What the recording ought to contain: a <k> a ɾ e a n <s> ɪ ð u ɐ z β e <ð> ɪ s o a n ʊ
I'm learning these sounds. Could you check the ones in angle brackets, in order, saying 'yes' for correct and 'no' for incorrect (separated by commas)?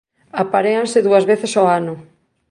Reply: no, yes, no